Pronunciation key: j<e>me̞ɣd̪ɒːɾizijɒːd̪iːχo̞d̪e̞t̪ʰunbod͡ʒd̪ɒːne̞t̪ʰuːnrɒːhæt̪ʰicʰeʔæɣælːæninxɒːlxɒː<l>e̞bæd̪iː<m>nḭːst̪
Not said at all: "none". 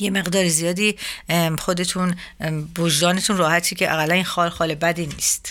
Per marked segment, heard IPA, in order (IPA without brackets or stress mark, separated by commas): e, l, none